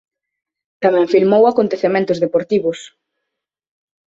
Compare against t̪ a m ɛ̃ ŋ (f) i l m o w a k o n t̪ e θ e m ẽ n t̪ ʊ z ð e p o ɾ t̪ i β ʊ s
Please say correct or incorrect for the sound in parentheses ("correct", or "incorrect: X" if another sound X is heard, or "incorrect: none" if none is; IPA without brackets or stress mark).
correct